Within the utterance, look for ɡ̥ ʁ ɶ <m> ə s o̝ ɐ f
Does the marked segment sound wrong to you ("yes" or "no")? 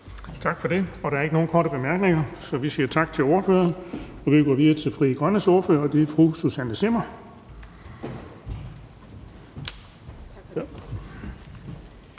yes